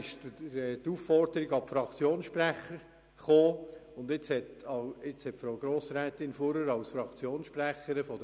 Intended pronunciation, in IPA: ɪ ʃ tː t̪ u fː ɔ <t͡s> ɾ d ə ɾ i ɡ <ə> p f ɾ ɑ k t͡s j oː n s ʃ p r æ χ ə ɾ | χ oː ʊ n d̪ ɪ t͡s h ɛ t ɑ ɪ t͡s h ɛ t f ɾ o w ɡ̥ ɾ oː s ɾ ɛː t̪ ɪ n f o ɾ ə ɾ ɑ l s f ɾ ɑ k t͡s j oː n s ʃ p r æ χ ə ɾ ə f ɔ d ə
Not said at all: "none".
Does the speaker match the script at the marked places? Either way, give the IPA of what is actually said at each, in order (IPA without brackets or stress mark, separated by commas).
none, ɑ